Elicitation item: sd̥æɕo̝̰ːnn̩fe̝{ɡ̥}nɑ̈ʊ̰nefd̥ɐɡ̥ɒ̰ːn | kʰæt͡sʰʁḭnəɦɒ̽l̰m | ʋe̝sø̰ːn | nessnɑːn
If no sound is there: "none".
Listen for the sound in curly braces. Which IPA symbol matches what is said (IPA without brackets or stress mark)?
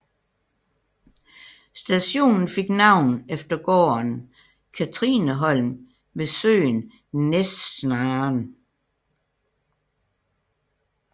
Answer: ɡ̥